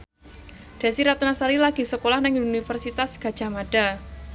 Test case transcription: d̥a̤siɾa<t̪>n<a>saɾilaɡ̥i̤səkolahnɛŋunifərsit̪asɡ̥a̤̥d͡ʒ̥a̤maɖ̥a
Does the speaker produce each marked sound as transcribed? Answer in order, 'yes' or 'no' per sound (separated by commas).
yes, yes